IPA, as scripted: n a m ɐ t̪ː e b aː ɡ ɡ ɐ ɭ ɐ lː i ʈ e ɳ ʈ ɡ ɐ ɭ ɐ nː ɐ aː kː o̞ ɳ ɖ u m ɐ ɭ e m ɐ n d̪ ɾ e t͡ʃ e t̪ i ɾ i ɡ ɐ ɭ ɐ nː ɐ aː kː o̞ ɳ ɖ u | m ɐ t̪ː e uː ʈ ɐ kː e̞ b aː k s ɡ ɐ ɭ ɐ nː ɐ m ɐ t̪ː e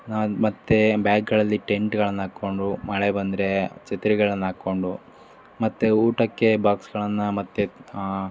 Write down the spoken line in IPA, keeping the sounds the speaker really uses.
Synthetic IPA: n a m ɐ t̪ː e b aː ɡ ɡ ɐ ɭ ɐ lː i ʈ e ɳ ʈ ɡ ɐ ɭ ɐ nː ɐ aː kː o̞ ɳ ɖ u m ɐ ɭ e b ɐ n d̪ ɾ e t͡ʃ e t̪ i ɾ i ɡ ɐ ɭ ɐ nː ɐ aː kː o̞ ɳ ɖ u | m ɐ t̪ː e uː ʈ ɐ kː e̞ b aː k s ɡ ɐ ɭ ɐ nː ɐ m ɐ t̪ː e